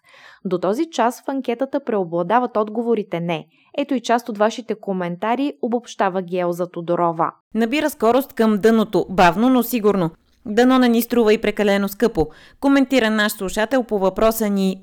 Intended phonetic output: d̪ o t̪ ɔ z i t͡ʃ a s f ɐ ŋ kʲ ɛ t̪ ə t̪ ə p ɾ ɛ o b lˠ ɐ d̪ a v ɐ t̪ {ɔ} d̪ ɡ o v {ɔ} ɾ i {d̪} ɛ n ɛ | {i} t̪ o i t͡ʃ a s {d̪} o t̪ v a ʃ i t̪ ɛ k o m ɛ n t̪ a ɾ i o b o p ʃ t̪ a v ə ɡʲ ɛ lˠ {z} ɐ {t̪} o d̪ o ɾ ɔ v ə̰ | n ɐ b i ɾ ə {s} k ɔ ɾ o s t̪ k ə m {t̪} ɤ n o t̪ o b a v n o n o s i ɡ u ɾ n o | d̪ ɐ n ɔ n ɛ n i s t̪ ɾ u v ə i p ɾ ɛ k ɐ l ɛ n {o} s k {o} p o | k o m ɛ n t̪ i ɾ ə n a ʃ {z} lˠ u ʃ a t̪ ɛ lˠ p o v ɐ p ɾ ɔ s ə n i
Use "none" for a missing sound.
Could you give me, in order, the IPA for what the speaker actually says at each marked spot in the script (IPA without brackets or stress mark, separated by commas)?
ɔ, o, t̪, ɛ, t̪, z, t̪, s, d̪, o, ɤ, s